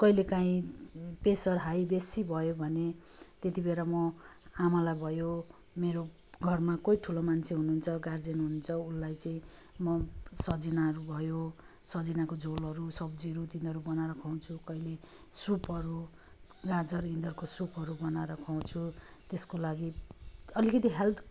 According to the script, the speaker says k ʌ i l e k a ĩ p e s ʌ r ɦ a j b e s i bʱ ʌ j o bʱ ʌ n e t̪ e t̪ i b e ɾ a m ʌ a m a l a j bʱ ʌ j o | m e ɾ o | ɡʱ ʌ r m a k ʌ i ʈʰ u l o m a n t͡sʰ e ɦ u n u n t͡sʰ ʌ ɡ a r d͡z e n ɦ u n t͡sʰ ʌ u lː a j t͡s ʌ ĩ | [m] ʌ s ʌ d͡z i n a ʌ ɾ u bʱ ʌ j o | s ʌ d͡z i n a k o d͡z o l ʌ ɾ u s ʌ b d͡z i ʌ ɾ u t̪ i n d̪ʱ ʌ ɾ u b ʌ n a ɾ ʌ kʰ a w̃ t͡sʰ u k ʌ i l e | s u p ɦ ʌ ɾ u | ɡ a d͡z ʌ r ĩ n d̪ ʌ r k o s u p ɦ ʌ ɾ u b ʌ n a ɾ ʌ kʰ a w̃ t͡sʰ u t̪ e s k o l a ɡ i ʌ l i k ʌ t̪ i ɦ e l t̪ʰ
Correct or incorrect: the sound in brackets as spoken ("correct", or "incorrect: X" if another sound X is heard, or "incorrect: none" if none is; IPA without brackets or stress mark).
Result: correct